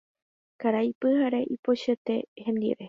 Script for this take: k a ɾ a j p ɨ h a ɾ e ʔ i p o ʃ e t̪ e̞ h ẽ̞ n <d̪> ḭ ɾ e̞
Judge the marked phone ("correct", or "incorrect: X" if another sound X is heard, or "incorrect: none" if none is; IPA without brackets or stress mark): correct